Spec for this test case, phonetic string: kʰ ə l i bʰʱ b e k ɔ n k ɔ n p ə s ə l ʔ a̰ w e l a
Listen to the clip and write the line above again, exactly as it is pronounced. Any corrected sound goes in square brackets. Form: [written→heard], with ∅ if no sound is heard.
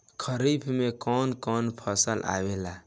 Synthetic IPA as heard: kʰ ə [l→ɾ] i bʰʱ [b→m] e k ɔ n k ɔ n [p→pʰ] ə s ə l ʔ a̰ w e l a